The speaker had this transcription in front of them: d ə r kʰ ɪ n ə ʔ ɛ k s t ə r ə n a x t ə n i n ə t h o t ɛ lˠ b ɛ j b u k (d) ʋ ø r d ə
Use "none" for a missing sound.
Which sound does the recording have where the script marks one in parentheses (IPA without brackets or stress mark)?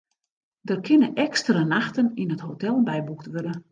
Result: t